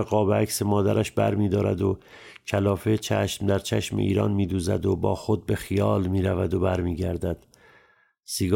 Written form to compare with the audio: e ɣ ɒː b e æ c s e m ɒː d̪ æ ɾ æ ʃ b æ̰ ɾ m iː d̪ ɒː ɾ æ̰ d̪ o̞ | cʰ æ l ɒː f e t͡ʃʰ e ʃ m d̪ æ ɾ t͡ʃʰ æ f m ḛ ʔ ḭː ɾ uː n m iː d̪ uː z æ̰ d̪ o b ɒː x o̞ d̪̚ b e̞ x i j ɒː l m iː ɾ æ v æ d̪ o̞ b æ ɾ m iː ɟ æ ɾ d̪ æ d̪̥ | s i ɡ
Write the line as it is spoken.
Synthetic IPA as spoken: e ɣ ɒː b e æ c s e m ɒː d̪ æ ɾ æ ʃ b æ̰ ɾ m iː d̪ ɒː ɾ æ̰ d̪ o̞ | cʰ æ l ɒː f e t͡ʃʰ æ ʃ m d̪ æ ɾ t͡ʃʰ æ ʃ m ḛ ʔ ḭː ɾ ɒː n m iː d̪ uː z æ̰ d̪ o b ɒː x o̞ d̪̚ b e̞ x i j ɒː l m iː ɾ æ v æ d̪ o̞ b æ ɾ m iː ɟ æ ɾ d̪ æ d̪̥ | s i ɡ